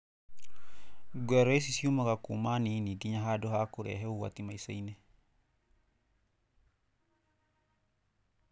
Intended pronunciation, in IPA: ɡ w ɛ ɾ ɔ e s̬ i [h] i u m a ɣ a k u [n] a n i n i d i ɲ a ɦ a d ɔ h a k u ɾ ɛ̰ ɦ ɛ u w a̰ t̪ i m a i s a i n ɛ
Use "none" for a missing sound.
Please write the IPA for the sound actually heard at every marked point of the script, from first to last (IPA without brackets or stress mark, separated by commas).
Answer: s, m